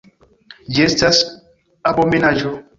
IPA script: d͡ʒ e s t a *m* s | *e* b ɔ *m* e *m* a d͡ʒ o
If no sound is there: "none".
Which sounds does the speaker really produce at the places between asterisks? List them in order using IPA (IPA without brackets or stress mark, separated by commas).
none, a, m, n